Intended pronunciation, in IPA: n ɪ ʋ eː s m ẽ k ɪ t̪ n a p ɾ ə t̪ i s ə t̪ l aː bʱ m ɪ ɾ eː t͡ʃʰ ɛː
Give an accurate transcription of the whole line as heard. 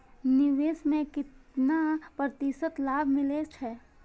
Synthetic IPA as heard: n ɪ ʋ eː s m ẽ k ɪ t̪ n a p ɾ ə t̪ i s ə t̪ l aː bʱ m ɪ l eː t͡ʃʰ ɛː